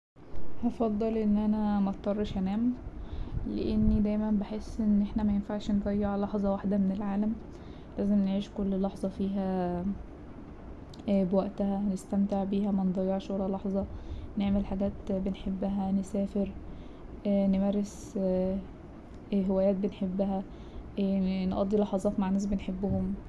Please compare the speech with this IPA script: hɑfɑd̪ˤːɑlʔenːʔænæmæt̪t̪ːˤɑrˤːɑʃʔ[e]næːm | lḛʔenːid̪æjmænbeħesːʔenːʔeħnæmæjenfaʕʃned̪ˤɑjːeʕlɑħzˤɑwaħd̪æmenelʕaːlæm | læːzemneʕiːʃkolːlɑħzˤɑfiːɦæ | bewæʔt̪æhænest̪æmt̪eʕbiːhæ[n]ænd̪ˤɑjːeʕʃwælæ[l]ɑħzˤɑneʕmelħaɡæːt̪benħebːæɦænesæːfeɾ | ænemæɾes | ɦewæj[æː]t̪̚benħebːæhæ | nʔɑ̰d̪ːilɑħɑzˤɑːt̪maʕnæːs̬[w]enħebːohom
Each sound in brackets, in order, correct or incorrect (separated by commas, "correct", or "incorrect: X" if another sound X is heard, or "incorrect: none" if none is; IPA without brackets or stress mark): incorrect: æ, incorrect: m, correct, correct, incorrect: b